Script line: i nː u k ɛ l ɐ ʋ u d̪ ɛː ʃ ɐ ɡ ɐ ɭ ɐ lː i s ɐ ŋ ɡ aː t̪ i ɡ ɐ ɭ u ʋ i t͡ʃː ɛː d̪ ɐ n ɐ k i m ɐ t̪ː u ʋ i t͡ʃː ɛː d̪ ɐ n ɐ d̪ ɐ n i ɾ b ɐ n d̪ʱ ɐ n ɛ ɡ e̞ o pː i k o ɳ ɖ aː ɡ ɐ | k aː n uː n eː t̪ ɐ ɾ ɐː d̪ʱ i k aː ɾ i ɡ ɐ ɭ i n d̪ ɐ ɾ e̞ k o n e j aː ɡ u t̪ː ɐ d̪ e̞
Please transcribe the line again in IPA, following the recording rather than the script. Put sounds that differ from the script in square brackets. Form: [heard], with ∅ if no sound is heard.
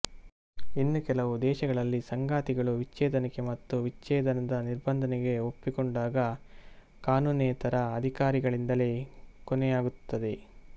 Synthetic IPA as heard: i nː u k ɛ l ɐ ʋ u d̪ ɛː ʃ ɐ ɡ ɐ ɭ ɐ lː i s ɐ ŋ ɡ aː t̪ i ɡ ɐ ɭ u ʋ i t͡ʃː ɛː d̪ ɐ n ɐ k [e] m ɐ t̪ː u ʋ i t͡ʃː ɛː d̪ ɐ n ɐ d̪ ɐ n i ɾ b ɐ n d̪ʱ ɐ n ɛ ɡ e̞ o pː i k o ɳ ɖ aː ɡ ɐ | k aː n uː n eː t̪ ɐ ɾ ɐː d̪ʱ i k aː ɾ i ɡ ɐ ɭ i n d̪ ɐ [l] e̞ k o n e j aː ɡ u t̪ː ɐ d̪ e̞